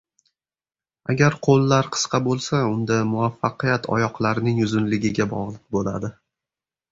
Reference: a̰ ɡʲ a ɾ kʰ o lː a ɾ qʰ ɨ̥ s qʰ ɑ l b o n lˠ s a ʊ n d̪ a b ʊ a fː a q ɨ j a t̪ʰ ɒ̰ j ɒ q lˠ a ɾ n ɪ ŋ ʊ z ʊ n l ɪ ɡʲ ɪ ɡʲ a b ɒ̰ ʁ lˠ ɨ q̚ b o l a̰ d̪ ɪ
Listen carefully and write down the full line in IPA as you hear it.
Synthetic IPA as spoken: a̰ ɡʲ a ɾ qʰ o lː a ɾ qʰ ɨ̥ s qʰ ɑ b o lˠ s a ʊ n d̪ a m ʊ a fː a q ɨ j a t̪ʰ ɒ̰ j ɒ q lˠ a ɾ n ɪ ŋ ʊ z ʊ n l ɪ ɡʲ ɪ ɡʲ a b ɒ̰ ʁ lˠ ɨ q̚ b o l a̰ d̪ ɪ